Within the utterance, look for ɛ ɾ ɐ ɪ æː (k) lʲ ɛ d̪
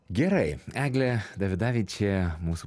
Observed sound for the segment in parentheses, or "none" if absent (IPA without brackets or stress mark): ɡ